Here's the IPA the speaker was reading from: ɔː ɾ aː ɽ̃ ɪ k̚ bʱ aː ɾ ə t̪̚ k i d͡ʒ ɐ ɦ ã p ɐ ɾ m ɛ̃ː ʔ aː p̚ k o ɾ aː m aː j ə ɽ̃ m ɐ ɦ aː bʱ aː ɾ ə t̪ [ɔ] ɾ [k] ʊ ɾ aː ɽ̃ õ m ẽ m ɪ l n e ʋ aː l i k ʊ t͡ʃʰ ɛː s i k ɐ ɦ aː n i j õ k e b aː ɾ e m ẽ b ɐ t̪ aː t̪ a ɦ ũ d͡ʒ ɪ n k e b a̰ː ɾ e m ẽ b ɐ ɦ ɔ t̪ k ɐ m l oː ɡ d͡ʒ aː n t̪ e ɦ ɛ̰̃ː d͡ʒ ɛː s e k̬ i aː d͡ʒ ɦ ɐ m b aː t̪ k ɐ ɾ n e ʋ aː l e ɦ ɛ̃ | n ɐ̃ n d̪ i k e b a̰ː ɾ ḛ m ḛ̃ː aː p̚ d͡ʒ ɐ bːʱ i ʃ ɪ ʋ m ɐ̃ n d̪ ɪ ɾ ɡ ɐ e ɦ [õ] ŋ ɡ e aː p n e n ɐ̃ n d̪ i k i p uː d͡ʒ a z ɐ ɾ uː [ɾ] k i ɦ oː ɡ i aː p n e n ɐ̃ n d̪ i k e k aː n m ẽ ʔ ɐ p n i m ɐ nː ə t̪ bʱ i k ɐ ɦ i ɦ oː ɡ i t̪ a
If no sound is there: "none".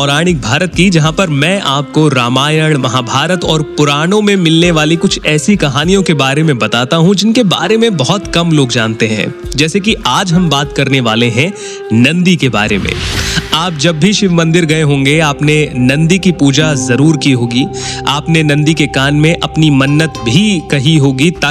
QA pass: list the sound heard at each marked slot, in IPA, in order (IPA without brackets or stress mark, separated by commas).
ɔː, p, õː, ɾ